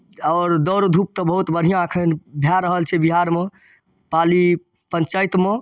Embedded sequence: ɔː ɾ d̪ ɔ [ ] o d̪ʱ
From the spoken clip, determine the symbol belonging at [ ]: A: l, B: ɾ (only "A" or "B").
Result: B